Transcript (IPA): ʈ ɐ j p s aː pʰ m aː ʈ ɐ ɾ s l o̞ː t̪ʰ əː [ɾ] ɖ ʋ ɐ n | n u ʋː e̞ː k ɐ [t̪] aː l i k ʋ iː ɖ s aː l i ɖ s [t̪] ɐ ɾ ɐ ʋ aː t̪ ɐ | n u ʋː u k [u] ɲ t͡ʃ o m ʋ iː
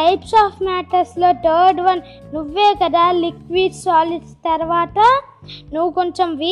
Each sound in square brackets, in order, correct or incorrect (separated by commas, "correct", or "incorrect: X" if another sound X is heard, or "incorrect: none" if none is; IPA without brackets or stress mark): correct, incorrect: d̪, correct, incorrect: o